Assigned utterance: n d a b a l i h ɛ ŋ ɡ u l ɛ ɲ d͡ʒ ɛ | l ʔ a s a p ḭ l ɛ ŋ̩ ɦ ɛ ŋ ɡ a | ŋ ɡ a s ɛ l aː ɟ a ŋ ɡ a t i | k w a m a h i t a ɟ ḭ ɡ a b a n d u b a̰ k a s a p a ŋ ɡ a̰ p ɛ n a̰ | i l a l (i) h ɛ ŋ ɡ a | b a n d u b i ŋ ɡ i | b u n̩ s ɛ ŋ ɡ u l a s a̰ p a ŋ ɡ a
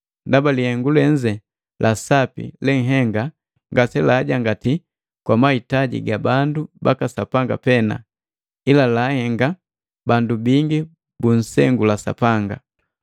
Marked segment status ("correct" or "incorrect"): incorrect